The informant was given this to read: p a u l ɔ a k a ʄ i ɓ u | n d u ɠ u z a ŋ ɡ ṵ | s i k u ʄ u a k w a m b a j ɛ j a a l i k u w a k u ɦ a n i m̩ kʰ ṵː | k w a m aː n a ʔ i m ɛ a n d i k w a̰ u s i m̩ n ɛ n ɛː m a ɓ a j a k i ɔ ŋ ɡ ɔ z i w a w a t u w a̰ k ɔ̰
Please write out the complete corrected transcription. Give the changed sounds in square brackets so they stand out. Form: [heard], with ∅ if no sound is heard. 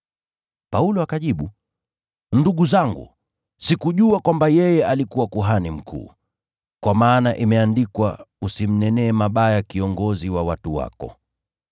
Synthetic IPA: p a u l ɔ a k a ʄ i ɓ u | n d u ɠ u z a ŋ ɡ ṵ | s i k u ʄ u a k w a m b a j ɛ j [ɛ] a l i k u w a k u ɦ a n i m̩ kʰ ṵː | k w a m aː n a ʔ i m ɛ a n d i k w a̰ u s i m̩ n ɛ n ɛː m a ɓ a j a k i ɔ ŋ ɡ ɔ z i w a w a t u w a̰ k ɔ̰